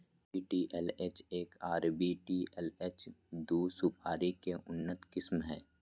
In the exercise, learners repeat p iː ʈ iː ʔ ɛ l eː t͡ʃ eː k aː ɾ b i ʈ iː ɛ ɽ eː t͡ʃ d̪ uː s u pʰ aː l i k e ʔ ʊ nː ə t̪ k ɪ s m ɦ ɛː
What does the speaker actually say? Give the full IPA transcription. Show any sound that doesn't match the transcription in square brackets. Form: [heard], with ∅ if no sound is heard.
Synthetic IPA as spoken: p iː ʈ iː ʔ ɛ l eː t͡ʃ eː k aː ɾ b i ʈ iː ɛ [l] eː t͡ʃ d̪ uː s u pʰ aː [ɾ] i k e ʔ ʊ nː ə t̪ k ɪ s m ɦ ɛː